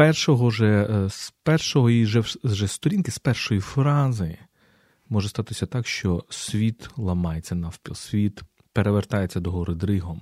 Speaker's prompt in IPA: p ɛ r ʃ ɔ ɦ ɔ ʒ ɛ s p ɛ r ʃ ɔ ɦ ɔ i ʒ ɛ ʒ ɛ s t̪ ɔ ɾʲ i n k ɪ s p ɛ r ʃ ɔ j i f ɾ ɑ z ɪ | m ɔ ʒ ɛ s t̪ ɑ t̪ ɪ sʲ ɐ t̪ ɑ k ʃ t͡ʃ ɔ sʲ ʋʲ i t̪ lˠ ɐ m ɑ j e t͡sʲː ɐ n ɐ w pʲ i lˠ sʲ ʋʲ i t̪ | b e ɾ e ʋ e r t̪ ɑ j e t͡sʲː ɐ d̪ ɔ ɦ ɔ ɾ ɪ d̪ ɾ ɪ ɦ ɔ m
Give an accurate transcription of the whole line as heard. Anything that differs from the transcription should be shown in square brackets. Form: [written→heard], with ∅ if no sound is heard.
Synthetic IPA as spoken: p ɛ r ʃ ɔ ɦ ɔ ʒ ɛ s p ɛ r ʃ ɔ ɦ ɔ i ʒ ɛ ʒ ɛ s t̪ ɔ ɾʲ i n k ɪ s p ɛ r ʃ ɔ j i f ɾ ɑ z ɪ | m ɔ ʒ ɛ s t̪ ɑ t̪ ɪ sʲ ɐ t̪ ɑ k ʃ t͡ʃ ɔ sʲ ʋʲ i t̪ lˠ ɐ m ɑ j e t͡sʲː ɐ n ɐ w pʲ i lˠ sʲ ʋʲ i t̪ | [b→p] e ɾ e ʋ e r t̪ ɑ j e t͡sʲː ɐ d̪ ɔ ɦ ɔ ɾ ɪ d̪ ɾ ɪ ɦ ɔ m